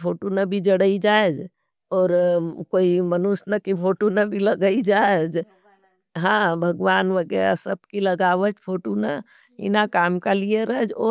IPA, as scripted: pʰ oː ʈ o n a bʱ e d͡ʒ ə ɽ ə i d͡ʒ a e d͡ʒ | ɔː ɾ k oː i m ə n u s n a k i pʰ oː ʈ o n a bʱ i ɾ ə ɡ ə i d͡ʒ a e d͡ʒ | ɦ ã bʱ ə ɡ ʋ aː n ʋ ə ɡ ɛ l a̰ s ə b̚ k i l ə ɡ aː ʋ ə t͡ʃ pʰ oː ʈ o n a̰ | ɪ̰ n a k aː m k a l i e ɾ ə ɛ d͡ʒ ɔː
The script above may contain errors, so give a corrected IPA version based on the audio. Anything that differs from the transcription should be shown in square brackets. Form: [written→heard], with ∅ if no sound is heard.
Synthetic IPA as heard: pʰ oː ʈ o n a bʱ [e→i] d͡ʒ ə ɽ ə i d͡ʒ a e d͡ʒ | ɔː ɾ k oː i m ə n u s n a k i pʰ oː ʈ o n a bʱ i [ɾ→l] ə ɡ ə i d͡ʒ a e d͡ʒ | ɦ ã bʱ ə ɡ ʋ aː n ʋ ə ɡ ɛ [l→ɾ] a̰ s ə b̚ k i l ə ɡ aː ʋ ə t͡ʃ pʰ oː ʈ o n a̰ | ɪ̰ n a k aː m k a l i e ɾ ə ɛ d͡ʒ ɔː